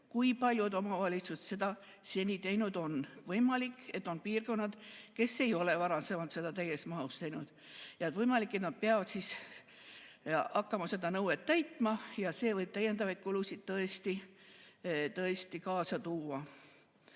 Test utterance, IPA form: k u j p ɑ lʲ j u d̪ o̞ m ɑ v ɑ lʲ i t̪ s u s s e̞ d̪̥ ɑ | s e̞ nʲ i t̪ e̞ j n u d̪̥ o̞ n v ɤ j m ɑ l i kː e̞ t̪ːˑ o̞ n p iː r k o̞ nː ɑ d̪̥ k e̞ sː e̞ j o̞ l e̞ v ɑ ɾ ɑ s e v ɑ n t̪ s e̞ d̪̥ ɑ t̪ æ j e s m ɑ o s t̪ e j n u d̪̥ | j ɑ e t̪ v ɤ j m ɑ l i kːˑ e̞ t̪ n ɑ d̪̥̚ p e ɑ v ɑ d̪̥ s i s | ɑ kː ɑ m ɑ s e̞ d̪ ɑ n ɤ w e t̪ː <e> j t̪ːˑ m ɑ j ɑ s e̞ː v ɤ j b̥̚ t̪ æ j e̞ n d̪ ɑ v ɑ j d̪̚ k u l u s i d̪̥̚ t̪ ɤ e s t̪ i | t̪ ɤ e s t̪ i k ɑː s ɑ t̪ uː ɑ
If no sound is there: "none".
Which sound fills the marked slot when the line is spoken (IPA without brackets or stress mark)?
æ